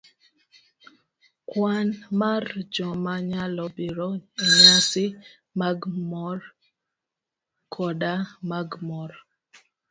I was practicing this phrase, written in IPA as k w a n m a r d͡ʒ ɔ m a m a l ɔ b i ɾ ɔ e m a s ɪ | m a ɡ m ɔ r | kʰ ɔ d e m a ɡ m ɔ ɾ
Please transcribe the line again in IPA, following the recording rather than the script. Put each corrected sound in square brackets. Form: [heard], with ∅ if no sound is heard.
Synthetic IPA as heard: k w a n m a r d͡ʒ ɔ m a [ɲ] a l ɔ b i ɾ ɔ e [ɲ] a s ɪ | m a ɡ m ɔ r | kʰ ɔ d [a] m a ɡ m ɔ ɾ